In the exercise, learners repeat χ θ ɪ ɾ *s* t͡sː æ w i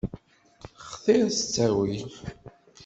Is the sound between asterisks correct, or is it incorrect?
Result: correct